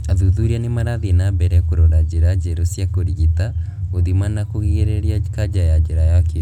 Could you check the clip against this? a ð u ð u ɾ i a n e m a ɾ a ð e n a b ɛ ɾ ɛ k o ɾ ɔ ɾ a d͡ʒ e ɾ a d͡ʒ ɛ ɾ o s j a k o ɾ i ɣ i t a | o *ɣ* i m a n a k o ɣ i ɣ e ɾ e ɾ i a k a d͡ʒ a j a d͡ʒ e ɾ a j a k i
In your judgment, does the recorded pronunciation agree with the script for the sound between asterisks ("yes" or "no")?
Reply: no